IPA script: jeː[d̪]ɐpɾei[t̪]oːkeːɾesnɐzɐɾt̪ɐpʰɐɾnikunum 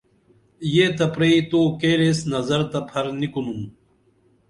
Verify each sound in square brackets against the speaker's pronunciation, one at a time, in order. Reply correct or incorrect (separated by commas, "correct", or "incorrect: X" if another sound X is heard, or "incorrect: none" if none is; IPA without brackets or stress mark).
incorrect: t̪, correct